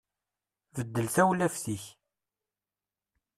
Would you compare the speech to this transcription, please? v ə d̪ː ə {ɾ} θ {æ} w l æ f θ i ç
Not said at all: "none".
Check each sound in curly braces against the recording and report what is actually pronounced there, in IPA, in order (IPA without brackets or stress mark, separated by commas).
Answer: l, æ